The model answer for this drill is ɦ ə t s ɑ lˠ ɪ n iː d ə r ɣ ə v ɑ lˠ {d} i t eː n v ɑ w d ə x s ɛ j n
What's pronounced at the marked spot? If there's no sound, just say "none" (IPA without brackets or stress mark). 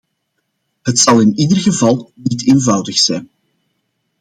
n